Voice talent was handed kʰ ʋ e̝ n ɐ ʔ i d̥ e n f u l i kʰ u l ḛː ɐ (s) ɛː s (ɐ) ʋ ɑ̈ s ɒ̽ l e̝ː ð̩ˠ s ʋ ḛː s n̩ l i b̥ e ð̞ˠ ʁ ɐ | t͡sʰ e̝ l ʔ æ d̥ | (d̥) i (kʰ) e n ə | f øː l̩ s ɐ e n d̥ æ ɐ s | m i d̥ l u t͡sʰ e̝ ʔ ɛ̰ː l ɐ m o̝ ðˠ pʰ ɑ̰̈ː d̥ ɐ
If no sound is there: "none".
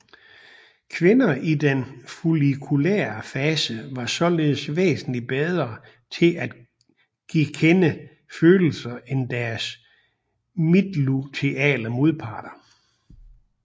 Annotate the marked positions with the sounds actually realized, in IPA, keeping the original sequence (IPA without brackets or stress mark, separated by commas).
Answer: f, ə, ɡ̥, kʰ